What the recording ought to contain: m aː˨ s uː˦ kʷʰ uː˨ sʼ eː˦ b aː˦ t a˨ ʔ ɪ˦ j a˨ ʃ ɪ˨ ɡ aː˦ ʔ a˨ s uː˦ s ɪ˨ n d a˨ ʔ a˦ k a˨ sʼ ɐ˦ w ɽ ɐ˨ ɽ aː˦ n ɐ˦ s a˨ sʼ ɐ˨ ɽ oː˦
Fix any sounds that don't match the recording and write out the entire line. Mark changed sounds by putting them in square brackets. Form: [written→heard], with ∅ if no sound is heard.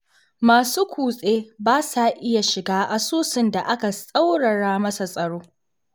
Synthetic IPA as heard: m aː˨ s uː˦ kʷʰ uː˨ sʼ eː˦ b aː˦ [t→s] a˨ ʔ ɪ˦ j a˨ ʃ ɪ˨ ɡ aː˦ ʔ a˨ s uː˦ s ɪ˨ n d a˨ ʔ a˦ k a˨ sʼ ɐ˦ w ɽ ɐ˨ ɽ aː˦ [n→m] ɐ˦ s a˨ sʼ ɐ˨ ɽ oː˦